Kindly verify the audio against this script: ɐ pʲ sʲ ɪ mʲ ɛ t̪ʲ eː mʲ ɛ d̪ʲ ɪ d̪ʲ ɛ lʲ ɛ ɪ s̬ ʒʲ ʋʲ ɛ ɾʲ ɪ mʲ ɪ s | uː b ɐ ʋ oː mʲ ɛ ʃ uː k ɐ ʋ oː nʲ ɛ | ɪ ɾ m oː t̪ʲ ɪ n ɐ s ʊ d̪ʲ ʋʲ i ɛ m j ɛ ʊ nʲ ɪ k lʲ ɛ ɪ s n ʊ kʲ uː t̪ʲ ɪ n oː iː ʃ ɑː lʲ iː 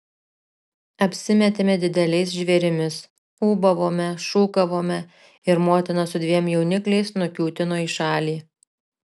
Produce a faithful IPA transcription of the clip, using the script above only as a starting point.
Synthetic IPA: ɐ pʲ sʲ ɪ mʲ ɛ t̪ʲ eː mʲ ɛ d̪ʲ ɪ d̪ʲ ɛ lʲ ɛ ɪ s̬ ʒʲ ʋʲ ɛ ɾʲ ɪ mʲ ɪ s | uː b ɐ ʋ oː mʲ ɛ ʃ uː k ɐ ʋ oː mʲ ɛ | ɪ ɾ m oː t̪ʲ ɪ n ɐ s ʊ d̪ʲ ʋʲ i ɛ m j ɛ ʊ nʲ ɪ k lʲ ɛ ɪ s n ʊ kʲ uː t̪ʲ ɪ n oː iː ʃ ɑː lʲ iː